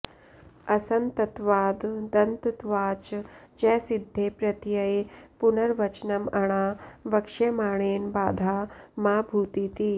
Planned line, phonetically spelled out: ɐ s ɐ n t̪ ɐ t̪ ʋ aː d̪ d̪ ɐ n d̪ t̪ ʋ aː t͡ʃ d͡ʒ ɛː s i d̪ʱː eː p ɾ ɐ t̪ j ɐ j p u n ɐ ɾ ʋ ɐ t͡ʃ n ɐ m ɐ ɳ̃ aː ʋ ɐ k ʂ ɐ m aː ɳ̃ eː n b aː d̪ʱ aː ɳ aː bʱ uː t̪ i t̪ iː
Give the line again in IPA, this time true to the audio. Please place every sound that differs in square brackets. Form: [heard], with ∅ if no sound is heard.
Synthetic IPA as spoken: ɐ s ɐ n t̪ ɐ t̪ ʋ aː d̪ d̪ ɐ n [t̪] t̪ ʋ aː t͡ʃ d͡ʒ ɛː s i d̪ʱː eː p ɾ ɐ t̪ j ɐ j p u n ɐ ɾ ʋ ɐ t͡ʃ n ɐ m ɐ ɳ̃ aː ʋ ɐ k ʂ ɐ m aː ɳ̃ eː n b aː d̪ʱ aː [m] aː bʱ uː t̪ i t̪ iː